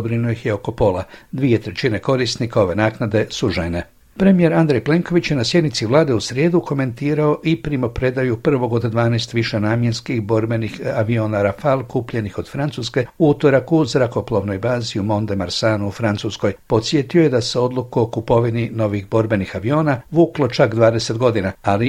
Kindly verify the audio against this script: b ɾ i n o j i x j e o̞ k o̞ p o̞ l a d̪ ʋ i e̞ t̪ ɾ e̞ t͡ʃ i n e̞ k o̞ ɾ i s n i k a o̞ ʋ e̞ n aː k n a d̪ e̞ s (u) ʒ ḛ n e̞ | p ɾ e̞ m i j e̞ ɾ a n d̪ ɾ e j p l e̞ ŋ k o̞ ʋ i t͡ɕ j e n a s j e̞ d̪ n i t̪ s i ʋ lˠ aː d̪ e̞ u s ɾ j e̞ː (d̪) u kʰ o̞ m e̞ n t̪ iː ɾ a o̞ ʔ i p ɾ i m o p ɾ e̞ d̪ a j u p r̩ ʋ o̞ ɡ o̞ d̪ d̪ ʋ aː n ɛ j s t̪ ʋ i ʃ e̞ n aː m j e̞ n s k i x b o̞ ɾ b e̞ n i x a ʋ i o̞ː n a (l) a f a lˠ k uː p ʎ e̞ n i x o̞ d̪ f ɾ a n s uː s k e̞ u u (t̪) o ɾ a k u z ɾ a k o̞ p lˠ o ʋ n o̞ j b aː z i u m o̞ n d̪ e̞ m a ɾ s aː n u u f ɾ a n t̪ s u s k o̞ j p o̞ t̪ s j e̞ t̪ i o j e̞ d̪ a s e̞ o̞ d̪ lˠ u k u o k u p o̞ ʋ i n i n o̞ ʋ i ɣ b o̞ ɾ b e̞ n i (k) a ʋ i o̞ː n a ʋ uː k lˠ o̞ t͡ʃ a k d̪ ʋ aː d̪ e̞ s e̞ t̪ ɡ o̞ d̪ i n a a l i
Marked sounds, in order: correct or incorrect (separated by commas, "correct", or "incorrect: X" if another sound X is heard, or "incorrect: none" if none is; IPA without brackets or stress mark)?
correct, correct, incorrect: ɾ, correct, incorrect: x